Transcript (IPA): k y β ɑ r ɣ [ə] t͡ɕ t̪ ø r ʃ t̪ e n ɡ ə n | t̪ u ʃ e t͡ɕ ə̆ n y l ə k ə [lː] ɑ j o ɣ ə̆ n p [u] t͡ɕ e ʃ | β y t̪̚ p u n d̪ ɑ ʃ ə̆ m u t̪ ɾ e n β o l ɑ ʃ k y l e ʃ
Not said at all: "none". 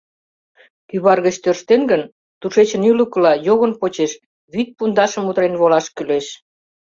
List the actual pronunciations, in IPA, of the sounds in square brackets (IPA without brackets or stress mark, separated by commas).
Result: ə, l, o